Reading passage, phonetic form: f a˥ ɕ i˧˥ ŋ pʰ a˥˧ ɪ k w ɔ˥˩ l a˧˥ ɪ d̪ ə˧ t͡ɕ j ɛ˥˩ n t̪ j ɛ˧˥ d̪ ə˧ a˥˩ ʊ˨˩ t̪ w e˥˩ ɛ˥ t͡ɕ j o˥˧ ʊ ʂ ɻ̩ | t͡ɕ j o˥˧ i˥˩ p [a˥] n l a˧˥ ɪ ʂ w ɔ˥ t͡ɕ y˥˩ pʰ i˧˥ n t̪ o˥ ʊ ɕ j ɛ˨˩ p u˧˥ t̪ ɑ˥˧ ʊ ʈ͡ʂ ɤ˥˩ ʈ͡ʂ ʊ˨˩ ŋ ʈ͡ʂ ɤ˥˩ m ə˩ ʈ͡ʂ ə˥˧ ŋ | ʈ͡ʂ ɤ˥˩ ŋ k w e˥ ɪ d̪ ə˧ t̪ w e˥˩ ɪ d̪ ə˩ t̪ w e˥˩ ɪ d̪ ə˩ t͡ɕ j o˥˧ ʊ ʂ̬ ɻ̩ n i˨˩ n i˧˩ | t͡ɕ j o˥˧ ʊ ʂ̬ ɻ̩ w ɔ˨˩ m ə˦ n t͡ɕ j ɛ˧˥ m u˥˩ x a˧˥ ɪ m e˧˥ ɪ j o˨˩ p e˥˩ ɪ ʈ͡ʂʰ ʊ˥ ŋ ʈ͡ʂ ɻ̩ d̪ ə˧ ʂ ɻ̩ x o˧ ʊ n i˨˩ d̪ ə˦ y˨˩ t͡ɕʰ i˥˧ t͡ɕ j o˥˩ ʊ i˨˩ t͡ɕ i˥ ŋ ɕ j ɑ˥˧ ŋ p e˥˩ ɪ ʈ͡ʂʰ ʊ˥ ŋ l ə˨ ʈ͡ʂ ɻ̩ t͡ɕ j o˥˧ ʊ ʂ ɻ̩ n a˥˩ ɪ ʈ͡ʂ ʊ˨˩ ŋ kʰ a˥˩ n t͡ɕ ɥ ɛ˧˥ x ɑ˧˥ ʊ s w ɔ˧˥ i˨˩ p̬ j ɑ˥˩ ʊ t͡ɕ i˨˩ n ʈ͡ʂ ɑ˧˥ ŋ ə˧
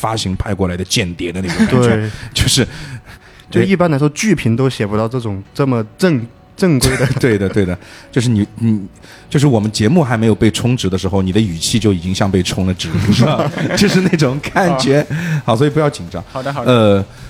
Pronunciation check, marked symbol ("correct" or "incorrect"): correct